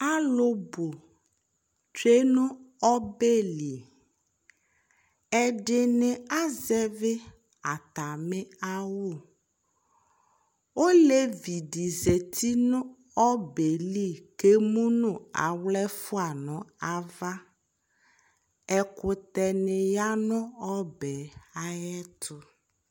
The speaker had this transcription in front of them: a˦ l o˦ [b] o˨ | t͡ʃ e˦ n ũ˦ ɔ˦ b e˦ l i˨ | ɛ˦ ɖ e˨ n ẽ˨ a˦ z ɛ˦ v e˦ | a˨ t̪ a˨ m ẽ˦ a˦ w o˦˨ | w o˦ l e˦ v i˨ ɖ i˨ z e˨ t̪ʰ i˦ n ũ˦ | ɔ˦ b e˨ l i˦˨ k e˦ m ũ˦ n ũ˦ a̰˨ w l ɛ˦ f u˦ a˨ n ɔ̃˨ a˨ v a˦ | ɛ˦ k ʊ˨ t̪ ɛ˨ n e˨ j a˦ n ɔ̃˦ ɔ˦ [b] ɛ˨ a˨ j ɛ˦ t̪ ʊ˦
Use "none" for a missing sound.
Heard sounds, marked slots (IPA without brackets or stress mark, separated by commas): b, b